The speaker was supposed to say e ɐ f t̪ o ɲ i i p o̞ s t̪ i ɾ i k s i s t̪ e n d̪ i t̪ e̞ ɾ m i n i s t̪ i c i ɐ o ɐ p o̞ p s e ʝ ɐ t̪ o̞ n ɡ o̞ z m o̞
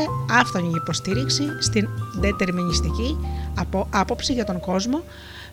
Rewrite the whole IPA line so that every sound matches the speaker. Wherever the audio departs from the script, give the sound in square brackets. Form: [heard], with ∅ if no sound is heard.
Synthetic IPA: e ɐ f t̪ o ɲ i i p o̞ s t̪ i ɾ i k s i s t̪ [i] n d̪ [e] t̪ e̞ ɾ m i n i s t̪ i c i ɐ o ɐ p o̞ p s [i] ʝ ɐ t̪ o̞ [ŋ] ɡ o̞ z m o̞